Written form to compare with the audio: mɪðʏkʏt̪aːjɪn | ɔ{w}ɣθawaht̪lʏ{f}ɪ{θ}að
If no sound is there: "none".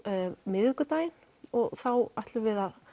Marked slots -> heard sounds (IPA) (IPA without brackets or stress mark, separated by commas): none, v, ð